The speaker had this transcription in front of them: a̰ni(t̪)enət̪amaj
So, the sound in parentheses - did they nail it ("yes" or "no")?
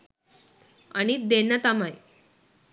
no